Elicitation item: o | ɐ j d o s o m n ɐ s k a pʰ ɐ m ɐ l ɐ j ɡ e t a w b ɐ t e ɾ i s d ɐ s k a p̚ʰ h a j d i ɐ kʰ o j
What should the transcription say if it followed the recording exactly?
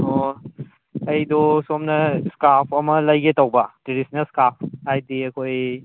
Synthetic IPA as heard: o | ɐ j d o s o m n ɐ s k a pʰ ɐ m ɐ l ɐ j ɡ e t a w b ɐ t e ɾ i s n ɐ s k a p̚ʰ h a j d i ɐ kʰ o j

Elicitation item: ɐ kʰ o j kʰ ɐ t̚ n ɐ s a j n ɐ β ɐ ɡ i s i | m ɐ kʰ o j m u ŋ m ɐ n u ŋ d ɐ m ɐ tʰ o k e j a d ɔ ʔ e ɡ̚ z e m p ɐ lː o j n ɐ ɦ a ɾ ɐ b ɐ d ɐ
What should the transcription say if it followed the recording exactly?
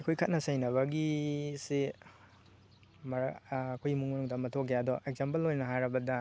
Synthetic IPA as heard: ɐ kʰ o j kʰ ɐ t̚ n ɐ s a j n ɐ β ɐ ɡ i s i | m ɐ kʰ o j m u ŋ m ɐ n u ŋ d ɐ m ɐ tʰ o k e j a d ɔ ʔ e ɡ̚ z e m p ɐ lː o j n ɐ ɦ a ɾ ɐ b ɐ d ɐ

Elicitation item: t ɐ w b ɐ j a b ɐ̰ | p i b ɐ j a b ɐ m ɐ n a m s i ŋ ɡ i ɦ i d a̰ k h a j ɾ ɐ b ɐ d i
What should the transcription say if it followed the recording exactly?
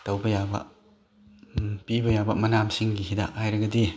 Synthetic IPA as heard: t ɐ w b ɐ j a b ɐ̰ | p i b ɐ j a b ɐ m ɐ n a m s i ŋ ɡ i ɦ i d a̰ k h a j ɾ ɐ ɡ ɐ d i

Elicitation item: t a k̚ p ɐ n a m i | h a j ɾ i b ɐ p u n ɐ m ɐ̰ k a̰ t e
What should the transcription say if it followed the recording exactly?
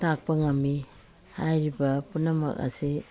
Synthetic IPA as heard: t a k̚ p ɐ ŋ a m i | h a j ɾ i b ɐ p u n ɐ m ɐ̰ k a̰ s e

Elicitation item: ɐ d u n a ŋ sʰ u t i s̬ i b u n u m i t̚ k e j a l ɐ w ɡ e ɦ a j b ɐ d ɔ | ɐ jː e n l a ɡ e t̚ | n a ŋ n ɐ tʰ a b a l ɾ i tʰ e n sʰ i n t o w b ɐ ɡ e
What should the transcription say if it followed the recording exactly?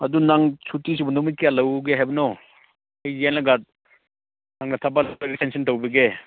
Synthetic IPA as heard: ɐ d u n a ŋ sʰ u t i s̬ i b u n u m i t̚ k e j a l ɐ w ɡ e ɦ a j b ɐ n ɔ | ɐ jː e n l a ɡ a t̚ | n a ŋ n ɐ tʰ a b a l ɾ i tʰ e n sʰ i n t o w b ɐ ɡ e

